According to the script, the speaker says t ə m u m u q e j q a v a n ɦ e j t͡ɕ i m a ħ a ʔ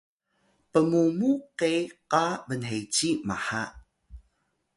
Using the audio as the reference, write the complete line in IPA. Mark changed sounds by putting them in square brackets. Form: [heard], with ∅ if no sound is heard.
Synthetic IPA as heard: [p] ə m u m u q e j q a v [ə] n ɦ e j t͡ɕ i m a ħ a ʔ